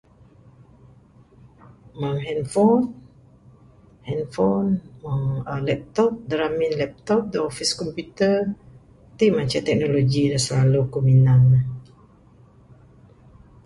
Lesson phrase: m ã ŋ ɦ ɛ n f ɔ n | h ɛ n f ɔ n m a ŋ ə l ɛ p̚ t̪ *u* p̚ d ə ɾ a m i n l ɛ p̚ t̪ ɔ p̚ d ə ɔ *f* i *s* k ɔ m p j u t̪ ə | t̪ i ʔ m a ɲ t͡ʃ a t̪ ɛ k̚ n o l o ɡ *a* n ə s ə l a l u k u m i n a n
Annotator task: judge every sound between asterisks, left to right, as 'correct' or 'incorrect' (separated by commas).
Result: incorrect, correct, correct, incorrect